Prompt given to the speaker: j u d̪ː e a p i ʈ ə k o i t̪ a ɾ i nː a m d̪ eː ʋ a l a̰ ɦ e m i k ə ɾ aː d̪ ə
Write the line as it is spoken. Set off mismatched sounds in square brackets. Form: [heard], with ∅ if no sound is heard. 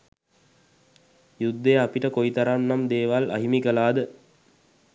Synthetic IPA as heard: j u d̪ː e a p i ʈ ə k o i t̪ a ɾ [a] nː a m d̪ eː ʋ a l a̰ ɦ [i] m i k ə [l] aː d̪ ə